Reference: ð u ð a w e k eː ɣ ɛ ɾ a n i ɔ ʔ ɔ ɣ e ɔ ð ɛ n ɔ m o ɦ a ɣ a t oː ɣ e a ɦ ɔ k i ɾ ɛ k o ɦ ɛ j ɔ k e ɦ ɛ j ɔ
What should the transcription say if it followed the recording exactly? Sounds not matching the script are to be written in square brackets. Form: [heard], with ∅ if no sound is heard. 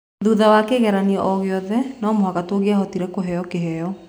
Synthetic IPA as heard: ð u ð a w [a] k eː ɣ ɛ ɾ a n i ɔ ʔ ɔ ɣ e ɔ ð ɛ n ɔ m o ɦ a ɣ a t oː ɣ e a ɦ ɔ [t] i ɾ ɛ k o ɦ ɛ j ɔ k e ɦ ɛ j ɔ